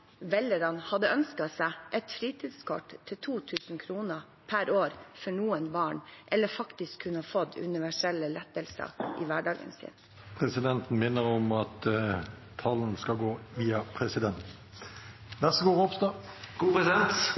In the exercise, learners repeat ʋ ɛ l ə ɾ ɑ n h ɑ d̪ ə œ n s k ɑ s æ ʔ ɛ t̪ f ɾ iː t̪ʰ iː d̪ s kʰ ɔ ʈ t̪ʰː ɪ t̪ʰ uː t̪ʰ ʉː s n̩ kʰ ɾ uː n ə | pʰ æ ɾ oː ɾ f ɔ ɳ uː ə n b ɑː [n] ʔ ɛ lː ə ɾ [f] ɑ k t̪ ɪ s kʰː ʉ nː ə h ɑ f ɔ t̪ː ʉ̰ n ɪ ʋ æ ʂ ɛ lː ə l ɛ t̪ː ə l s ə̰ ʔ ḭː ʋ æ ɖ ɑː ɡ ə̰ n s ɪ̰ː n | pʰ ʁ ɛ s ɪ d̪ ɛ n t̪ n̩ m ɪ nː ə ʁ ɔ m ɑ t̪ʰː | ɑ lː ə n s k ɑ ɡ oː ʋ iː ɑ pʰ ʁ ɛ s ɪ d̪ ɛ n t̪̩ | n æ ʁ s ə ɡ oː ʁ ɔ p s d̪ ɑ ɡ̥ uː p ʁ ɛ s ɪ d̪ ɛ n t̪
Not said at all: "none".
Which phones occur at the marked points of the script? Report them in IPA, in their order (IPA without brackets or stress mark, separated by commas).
ɳ, f